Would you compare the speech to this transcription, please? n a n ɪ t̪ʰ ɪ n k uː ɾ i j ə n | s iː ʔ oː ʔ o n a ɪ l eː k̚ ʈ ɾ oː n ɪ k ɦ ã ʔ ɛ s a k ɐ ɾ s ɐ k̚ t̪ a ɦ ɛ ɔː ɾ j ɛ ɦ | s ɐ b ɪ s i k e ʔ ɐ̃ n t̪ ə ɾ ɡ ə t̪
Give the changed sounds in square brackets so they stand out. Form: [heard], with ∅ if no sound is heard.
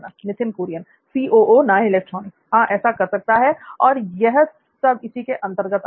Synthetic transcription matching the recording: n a n ɪ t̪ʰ ɪ n k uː ɾ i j ə n | s iː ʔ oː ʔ o n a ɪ l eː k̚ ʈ ɾ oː n ɪ k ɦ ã ʔ [ɛː] s a k ɐ ɾ s ɐ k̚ t̪ a ɦ ɛ ɔː ɾ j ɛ ɦ | s ɐ b ɪ s i k e ʔ ɐ̃ n t̪ ə ɾ ɡ ə t̪